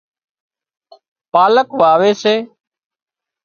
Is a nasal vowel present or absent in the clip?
absent